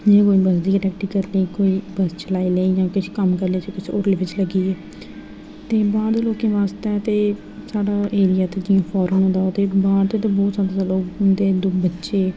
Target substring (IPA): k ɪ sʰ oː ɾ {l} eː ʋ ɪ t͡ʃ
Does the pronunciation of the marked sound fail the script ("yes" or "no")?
no